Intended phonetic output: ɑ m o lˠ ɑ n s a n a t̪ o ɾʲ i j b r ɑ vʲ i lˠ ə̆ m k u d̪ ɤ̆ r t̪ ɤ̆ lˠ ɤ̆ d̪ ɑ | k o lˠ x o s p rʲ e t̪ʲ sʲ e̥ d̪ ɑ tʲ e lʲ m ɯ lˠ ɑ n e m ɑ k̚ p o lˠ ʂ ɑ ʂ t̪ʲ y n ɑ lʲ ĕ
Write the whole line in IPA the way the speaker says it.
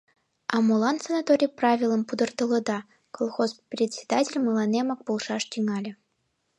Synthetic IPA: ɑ m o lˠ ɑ n s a n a t̪ o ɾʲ i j p r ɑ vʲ i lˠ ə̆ m p u d̪ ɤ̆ r t̪ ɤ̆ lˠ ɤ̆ d̪ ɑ | k o lˠ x o s p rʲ e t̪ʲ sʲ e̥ d̪ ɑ tʲ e lʲ m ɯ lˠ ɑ n e m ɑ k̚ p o lˠ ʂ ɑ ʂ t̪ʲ y ŋ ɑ lʲ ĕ